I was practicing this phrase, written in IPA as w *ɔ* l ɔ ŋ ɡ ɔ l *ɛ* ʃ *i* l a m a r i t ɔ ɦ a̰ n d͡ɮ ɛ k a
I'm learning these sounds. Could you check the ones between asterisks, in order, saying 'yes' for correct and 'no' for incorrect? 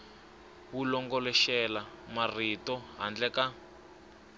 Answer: no, yes, no

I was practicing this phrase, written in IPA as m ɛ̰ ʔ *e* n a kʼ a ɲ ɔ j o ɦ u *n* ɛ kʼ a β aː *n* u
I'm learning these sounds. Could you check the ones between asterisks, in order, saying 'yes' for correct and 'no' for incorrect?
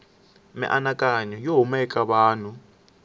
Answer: no, no, yes

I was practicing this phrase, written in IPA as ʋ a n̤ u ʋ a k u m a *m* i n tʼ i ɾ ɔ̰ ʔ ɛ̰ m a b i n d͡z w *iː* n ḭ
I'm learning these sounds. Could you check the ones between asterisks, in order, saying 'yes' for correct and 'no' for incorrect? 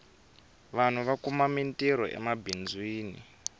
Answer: yes, yes

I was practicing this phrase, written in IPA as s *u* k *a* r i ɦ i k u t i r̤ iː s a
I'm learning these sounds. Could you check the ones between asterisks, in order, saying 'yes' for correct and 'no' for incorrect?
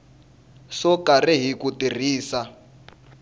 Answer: no, yes

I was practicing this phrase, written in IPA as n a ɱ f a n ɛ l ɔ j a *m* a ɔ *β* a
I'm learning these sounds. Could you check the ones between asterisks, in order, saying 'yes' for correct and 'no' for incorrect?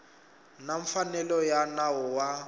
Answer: no, no

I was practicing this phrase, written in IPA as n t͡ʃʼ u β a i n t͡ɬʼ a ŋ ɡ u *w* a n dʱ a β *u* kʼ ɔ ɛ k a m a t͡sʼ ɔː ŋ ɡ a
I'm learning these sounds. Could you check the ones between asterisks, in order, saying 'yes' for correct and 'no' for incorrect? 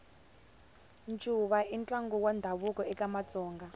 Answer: yes, yes

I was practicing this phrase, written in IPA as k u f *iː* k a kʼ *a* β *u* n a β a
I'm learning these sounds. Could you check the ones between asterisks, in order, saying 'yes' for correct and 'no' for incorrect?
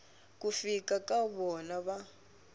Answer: no, yes, no

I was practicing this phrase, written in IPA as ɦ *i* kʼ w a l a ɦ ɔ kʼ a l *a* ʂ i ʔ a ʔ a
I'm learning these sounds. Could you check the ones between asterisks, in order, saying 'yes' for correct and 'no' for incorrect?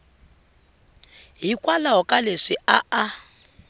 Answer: yes, no

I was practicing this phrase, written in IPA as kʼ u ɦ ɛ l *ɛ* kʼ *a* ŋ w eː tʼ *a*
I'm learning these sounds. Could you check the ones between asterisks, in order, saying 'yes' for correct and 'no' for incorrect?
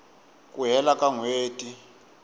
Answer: no, yes, no

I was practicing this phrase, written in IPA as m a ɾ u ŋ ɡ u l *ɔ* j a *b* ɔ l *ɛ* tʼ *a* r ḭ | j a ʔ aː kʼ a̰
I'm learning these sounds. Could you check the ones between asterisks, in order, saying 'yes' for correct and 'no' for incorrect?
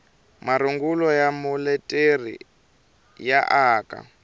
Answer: yes, no, yes, no

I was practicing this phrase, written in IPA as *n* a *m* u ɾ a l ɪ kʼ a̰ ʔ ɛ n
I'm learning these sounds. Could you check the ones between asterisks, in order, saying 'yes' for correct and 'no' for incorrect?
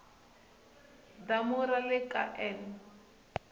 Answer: no, yes

